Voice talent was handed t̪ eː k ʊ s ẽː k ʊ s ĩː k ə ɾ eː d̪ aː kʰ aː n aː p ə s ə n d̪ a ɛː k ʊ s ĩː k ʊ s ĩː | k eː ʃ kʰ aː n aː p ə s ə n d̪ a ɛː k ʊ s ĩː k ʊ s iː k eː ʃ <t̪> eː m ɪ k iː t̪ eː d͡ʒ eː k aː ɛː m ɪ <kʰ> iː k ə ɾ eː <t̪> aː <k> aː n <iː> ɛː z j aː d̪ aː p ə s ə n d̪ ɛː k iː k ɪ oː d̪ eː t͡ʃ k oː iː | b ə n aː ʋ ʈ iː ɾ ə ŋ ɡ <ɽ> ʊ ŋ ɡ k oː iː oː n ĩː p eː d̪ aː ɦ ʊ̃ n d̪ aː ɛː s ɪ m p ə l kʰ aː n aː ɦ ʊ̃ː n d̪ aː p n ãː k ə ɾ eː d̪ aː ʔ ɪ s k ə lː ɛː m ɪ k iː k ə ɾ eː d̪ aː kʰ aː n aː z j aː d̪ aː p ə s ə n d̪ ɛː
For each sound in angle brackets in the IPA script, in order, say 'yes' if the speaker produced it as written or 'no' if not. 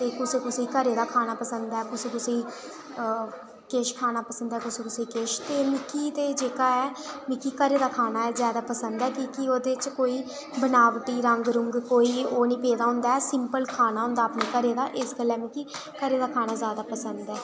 yes, no, no, no, no, no

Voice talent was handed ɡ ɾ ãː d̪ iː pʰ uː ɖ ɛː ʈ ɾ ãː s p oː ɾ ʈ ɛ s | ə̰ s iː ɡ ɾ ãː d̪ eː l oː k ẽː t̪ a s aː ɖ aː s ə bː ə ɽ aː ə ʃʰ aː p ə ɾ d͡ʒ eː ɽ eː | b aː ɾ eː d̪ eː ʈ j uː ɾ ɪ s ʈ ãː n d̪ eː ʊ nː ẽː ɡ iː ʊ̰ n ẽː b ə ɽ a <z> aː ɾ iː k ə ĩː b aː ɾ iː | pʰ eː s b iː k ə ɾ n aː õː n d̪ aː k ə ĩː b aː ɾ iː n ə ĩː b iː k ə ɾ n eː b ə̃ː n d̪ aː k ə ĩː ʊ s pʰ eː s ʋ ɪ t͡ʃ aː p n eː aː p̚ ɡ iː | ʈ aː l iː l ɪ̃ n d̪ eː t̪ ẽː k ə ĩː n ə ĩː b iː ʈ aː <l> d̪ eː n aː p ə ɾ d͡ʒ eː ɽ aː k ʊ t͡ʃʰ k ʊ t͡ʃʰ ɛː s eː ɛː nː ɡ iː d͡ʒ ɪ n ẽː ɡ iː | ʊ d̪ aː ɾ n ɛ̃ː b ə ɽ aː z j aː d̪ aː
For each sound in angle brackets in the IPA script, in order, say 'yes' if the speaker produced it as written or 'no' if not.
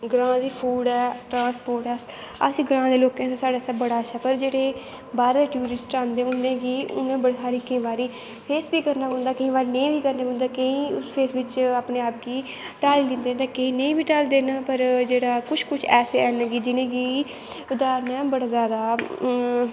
no, yes

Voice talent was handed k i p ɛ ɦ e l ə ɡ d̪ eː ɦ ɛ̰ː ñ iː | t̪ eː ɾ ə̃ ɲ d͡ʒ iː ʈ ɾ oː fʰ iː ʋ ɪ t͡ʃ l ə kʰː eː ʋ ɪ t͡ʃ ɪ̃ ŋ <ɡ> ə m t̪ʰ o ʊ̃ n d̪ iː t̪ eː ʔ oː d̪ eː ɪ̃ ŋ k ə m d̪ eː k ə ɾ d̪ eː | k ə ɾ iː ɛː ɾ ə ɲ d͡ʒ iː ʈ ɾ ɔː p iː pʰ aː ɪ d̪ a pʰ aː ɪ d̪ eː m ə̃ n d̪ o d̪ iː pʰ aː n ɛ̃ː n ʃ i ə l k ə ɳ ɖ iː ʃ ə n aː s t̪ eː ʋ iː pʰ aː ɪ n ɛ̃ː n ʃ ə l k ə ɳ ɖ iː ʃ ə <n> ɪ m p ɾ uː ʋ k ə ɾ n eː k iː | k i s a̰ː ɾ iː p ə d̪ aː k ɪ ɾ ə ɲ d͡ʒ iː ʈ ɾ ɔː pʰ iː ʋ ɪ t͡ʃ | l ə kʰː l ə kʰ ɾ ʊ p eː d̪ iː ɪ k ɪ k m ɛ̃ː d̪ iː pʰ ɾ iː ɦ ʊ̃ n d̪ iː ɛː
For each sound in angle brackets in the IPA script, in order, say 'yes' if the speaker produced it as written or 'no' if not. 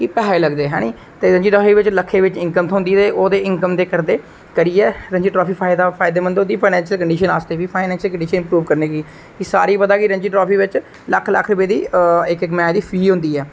no, yes

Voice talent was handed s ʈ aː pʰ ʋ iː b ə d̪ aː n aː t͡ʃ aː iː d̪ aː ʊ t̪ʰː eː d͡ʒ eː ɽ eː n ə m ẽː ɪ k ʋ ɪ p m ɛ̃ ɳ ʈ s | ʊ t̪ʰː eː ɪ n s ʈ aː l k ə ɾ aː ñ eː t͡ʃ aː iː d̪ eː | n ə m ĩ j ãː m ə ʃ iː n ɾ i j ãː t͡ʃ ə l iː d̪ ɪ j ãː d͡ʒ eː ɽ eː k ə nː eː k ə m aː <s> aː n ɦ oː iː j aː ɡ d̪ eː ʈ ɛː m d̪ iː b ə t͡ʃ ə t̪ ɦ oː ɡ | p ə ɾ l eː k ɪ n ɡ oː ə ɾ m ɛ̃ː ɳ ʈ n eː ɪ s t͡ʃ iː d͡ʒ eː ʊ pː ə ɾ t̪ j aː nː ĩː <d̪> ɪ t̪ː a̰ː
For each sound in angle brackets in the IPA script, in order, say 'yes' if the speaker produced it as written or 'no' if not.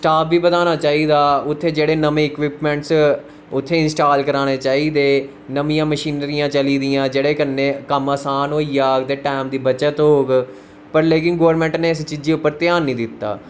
yes, yes

